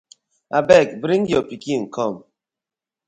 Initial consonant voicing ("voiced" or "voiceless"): voiced